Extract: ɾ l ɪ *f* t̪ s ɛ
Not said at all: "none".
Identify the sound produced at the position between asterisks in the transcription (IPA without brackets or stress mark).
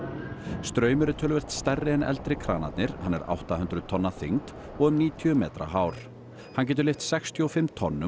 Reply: f